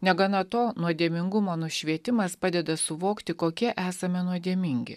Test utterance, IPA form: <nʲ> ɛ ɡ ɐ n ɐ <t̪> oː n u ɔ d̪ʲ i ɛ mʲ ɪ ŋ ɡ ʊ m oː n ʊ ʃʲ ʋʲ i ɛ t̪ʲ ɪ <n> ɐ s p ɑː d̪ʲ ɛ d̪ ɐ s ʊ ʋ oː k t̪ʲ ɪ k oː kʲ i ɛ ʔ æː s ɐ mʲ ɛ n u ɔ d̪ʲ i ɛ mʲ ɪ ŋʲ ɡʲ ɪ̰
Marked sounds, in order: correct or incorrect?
correct, correct, incorrect: m

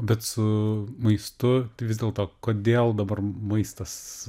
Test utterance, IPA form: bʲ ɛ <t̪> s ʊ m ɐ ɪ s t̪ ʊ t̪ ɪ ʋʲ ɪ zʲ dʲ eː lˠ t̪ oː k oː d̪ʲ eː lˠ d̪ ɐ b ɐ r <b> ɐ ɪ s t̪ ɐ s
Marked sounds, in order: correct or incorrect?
correct, incorrect: m

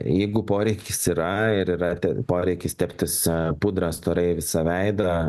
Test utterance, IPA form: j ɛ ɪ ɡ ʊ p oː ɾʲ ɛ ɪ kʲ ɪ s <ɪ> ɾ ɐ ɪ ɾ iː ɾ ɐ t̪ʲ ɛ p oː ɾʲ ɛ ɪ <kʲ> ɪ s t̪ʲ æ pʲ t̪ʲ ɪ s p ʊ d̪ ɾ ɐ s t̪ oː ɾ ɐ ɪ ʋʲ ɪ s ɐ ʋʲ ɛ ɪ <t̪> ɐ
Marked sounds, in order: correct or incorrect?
incorrect: i, correct, incorrect: d̪

